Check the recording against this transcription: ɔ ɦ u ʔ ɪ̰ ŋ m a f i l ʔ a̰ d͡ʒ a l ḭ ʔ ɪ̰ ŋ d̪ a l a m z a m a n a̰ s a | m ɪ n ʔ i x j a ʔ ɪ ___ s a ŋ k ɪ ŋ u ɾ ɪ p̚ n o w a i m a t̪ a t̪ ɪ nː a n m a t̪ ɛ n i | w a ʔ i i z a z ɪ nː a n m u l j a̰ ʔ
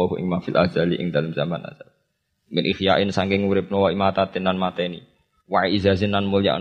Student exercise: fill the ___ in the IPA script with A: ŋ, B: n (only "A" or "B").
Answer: B